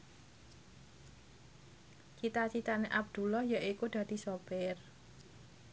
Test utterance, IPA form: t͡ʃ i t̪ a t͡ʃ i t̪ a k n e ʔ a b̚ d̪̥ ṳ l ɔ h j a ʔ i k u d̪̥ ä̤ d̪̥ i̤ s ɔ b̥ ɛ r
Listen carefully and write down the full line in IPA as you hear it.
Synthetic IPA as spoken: t͡ʃ i t̪ a t͡ʃ i t̪ a n e ʔ a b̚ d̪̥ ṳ l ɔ h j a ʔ i k u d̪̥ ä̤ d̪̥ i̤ s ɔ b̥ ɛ r